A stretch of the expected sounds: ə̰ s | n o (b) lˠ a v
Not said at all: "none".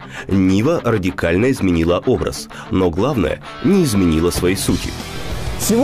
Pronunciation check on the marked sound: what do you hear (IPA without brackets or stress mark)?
ɡ